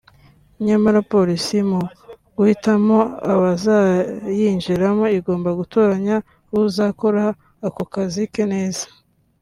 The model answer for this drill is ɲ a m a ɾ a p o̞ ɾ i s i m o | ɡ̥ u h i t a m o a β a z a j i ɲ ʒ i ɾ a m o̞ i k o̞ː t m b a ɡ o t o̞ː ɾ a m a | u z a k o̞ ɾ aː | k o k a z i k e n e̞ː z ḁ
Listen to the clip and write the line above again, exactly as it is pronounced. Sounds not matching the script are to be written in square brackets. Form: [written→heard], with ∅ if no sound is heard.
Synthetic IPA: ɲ a m a ɾ a p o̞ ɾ i s i m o | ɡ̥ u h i t a m o a β a z a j i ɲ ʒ i ɾ a m o̞ i [k→ɡ] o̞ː [t→∅] m b a ɡ [o→u] t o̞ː ɾ a [m→ɲ] a | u z a k o̞ ɾ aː | k o k a z i k e n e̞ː z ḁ